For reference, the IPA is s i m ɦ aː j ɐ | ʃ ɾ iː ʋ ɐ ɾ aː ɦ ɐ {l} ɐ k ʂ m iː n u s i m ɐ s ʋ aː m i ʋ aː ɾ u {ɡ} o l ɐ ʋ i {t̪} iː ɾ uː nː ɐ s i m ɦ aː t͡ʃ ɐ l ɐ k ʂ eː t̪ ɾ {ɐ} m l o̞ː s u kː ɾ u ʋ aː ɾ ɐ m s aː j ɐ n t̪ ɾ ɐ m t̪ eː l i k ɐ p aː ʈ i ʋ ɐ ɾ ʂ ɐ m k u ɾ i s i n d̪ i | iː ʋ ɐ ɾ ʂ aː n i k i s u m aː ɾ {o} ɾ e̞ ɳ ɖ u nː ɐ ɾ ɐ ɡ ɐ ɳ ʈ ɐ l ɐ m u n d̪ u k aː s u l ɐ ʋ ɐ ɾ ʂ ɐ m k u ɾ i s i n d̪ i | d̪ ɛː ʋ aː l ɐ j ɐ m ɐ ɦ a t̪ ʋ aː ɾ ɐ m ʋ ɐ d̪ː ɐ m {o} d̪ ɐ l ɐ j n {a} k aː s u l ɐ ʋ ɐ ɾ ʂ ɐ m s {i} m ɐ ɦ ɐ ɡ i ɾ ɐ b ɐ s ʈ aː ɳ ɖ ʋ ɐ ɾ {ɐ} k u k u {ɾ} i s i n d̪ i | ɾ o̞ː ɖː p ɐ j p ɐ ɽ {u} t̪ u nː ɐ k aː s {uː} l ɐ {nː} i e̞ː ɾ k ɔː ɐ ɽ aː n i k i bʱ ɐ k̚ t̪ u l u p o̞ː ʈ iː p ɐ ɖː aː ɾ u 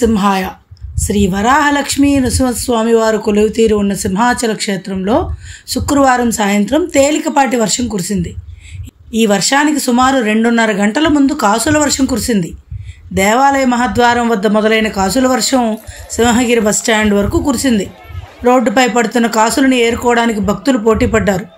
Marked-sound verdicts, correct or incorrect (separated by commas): correct, incorrect, correct, correct, incorrect, incorrect, incorrect, correct, correct, correct, correct, incorrect, incorrect